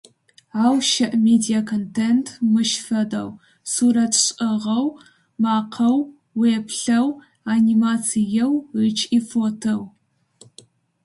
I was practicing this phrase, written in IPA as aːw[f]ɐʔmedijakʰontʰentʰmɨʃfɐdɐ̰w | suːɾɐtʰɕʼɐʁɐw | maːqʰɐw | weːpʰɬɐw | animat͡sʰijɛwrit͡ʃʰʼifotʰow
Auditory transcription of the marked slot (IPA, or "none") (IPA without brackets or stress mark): ʃ